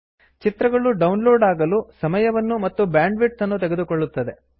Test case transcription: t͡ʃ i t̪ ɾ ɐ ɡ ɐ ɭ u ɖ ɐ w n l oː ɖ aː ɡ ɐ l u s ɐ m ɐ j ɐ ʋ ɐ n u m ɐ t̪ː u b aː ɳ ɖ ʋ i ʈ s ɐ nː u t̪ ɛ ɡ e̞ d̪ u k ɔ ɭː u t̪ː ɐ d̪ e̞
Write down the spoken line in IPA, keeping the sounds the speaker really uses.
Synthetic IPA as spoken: t͡ʃ i t̪ ɾ ɐ ɡ ɐ ɭ u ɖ ɐ w n l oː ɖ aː ɡ ɐ l u s ɐ m ɐ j ɐ ʋ ɐ nː u m ɐ t̪ː u b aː ɳ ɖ ʋ i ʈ s ɐ nː u t̪ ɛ ɡ e̞ d̪ u k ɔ ɭː u t̪ː ɐ d̪ e̞